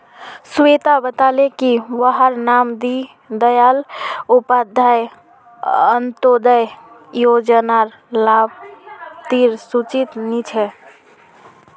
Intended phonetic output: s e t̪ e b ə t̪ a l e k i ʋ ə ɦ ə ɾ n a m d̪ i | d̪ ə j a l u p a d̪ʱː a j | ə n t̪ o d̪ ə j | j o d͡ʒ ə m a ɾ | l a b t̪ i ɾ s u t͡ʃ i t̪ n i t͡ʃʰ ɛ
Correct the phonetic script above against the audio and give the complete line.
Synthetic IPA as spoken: s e t̪ a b ə t̪ a l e k i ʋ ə ɦ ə ɾ n a m d̪ i | d̪ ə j a l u p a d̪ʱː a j | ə n t̪ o d̪ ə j | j o d͡ʒ ə n a ɾ | l a b t̪ i ɾ s u t͡ʃ i t̪ n i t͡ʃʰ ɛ